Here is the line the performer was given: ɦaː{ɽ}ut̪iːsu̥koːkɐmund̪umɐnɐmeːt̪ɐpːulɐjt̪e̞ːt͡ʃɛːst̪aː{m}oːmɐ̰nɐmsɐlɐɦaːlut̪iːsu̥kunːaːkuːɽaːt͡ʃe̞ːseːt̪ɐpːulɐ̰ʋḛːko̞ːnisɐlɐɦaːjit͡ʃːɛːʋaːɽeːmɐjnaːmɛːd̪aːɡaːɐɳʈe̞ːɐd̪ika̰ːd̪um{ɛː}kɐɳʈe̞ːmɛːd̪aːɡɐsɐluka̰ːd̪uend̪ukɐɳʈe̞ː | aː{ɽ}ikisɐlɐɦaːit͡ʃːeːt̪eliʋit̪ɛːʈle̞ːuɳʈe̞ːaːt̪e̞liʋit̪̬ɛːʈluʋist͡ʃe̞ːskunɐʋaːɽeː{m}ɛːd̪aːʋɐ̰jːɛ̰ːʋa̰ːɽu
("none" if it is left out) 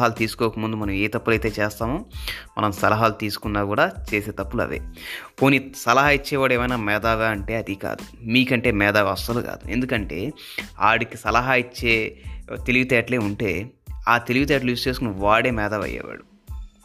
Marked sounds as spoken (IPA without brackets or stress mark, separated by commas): l, m, iː, ɽ, m